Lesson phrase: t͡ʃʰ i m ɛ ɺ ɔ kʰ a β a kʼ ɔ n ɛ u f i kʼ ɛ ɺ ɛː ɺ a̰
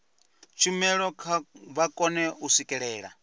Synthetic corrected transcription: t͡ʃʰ i m ɛ ɺ ɔ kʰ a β a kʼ ɔ n ɛ u s i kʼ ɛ ɺ ɛː ɺ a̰